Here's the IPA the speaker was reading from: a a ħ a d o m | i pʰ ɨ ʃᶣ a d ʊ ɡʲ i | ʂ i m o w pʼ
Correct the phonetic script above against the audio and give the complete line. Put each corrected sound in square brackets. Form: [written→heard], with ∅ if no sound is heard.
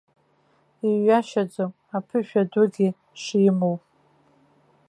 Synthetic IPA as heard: [a→i] a [ħ→ʃ] a [d→d͡z] o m | [i→a] pʰ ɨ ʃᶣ a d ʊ ɡʲ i | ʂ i m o w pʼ